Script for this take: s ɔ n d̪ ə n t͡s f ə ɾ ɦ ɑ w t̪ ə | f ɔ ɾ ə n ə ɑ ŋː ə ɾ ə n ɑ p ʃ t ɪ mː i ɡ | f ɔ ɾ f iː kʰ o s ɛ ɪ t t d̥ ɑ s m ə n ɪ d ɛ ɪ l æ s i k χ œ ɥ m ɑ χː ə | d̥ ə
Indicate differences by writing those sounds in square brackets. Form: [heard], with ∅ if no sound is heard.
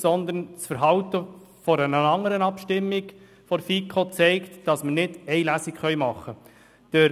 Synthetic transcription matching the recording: s ɔ n d̪ ə n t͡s f ə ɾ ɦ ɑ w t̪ ə | f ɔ ɾ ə n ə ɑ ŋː ə ɾ ə n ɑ p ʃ t ɪ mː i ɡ | f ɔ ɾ f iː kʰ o [t͡s] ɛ ɪ [k] t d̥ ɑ s m ə n ɪ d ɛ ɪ l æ s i k χ œ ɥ m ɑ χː ə | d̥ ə